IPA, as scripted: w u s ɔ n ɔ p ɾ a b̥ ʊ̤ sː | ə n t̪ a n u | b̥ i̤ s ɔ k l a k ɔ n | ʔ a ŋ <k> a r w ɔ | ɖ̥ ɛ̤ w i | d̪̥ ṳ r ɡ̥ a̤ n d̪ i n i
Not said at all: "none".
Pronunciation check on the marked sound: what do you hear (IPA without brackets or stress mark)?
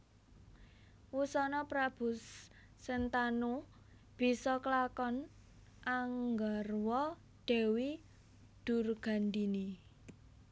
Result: ɡ